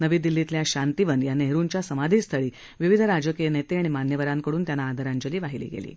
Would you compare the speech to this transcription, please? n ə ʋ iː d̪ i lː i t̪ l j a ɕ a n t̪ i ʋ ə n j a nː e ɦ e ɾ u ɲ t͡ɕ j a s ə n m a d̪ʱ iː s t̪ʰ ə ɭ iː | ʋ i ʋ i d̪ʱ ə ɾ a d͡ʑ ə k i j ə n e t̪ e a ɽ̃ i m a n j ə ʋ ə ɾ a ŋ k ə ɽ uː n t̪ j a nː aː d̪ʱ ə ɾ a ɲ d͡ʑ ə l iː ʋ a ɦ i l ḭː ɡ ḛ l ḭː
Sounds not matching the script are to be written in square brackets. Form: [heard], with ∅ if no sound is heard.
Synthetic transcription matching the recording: n ə ʋ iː d̪ i lː i t̪ l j a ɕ a n t̪ i ʋ ə n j a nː e ɦ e ɾ u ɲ t͡ɕ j a s ə [∅] m a d̪ʱ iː s t̪ʰ ə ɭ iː | ʋ i ʋ i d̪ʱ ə ɾ a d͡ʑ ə k i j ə n e t̪ e a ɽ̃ i m a n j ə ʋ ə ɾ a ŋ k ə ɽ uː n t̪ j a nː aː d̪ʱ ə ɾ a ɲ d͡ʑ ə l iː ʋ a ɦ i l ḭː ɡ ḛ l ḭː